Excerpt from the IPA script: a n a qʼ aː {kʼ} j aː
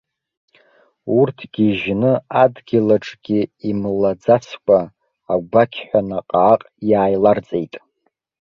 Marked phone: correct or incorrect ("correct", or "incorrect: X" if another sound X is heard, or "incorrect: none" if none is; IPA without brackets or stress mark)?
incorrect: qʼ